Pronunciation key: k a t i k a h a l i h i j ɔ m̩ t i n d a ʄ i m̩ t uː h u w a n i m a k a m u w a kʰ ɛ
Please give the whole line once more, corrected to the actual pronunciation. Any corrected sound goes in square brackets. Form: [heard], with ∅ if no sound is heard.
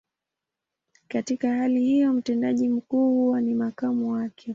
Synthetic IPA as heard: k a t i k a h a l i h i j ɔ m̩ t [ɛ] n d a ʄ i m̩ [k] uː h u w a n i m a k a m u w a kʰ ɛ